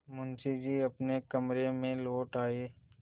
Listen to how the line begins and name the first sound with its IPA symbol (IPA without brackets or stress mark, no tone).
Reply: m